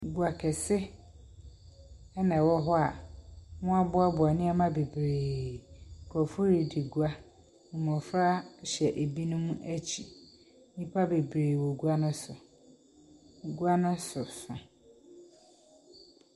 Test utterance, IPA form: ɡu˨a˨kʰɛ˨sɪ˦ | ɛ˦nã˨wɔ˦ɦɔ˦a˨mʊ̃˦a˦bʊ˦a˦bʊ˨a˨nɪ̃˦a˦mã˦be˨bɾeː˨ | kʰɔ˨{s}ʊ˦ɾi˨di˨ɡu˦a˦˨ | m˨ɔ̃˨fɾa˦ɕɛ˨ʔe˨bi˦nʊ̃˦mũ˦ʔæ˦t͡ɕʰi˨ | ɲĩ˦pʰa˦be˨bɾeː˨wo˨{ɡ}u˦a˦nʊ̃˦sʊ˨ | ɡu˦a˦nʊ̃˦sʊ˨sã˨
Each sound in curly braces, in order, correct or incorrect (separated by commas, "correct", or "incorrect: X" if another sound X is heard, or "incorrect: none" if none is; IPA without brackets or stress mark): incorrect: f, correct